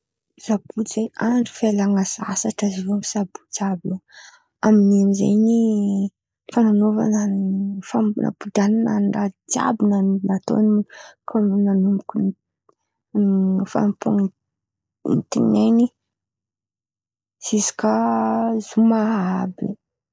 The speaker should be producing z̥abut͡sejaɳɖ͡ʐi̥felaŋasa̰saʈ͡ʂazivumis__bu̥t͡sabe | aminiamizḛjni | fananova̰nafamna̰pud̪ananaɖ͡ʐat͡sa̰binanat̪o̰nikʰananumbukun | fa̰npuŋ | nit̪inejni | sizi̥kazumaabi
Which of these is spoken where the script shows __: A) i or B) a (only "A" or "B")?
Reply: B